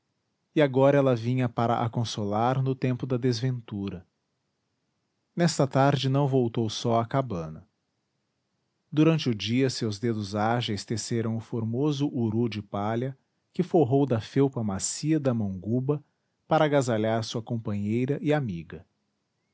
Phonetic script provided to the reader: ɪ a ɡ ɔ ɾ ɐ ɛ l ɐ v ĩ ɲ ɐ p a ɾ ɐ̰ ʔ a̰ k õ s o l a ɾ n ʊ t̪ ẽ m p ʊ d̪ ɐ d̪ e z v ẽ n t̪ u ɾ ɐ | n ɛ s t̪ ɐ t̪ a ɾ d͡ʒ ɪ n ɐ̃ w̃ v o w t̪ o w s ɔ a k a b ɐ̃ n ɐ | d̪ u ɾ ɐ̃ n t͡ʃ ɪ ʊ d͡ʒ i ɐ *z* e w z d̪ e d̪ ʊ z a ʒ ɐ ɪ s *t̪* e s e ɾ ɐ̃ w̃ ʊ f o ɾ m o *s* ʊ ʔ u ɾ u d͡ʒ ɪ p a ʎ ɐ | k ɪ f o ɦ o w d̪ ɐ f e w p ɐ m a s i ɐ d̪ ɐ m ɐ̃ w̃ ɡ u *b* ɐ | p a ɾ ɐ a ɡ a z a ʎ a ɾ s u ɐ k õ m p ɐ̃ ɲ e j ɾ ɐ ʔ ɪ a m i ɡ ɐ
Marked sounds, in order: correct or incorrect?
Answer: incorrect, correct, incorrect, correct

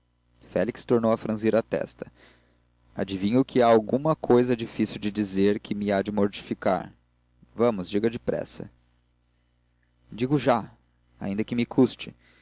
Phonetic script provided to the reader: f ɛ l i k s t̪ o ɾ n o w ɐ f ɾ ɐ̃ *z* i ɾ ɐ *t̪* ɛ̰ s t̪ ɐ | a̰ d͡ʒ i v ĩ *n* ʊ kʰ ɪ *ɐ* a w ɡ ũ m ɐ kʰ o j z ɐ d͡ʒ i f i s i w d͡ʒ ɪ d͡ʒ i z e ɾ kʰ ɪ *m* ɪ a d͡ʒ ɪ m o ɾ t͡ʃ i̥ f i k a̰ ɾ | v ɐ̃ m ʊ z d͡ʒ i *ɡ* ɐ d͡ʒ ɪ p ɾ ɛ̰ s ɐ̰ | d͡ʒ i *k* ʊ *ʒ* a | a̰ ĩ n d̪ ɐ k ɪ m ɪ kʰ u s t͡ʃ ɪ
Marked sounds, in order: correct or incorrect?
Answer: correct, correct, incorrect, incorrect, correct, correct, incorrect, correct

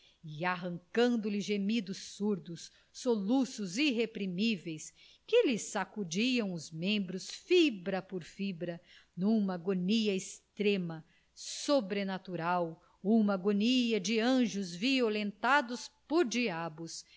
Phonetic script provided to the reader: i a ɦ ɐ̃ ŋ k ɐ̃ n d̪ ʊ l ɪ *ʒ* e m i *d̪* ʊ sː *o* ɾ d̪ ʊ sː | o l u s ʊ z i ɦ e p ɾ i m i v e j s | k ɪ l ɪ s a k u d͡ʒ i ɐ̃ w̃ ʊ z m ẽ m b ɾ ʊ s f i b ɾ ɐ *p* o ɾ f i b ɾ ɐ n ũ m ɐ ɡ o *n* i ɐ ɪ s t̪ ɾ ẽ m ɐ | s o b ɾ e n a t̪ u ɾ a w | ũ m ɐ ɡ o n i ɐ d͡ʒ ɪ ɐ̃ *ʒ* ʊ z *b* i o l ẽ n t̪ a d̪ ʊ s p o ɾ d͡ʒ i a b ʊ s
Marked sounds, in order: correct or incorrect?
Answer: correct, correct, incorrect, correct, correct, correct, incorrect

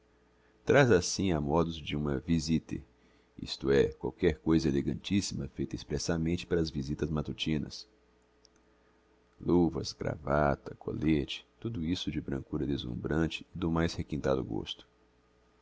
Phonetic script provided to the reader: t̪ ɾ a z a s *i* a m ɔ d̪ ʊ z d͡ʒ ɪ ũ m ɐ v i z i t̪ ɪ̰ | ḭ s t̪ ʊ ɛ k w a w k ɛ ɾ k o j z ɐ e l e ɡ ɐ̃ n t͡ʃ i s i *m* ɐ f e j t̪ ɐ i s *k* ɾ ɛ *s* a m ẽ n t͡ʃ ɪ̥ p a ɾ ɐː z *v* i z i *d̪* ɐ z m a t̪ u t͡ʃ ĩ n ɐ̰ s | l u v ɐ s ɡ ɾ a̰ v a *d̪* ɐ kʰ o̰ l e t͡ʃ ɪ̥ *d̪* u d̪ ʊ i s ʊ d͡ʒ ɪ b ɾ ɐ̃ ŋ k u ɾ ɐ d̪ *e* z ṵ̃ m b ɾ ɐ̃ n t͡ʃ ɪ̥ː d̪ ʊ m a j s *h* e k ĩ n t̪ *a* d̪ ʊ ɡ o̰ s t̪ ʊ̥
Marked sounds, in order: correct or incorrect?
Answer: incorrect, correct, incorrect, correct, correct, incorrect, incorrect, incorrect, correct, correct, correct

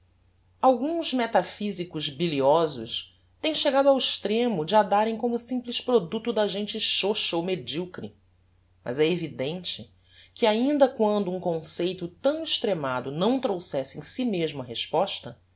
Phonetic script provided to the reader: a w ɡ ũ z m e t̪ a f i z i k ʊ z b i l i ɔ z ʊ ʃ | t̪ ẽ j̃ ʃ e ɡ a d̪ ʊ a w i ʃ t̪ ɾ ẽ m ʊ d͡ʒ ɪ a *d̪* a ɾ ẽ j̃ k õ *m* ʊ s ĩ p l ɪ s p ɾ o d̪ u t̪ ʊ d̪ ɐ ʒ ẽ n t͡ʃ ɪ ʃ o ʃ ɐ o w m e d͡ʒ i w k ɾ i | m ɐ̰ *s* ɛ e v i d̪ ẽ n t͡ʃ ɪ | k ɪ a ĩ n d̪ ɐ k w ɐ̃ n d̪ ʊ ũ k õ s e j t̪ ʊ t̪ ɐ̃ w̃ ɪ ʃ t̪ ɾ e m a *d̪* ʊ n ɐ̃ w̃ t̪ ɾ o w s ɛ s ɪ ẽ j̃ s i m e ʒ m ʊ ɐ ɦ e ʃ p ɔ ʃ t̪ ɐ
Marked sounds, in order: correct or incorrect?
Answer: correct, correct, incorrect, correct

